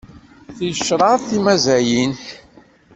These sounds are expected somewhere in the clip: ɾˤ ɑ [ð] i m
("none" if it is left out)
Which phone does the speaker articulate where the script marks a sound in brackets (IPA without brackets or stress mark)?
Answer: θ